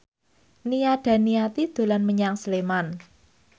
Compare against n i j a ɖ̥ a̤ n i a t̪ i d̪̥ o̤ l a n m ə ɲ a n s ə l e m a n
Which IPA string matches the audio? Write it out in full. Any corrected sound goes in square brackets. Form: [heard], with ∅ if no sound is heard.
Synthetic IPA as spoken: n i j a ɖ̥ a̤ n i a t̪ i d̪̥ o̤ l a n m ə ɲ a [ŋ] s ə l e m a n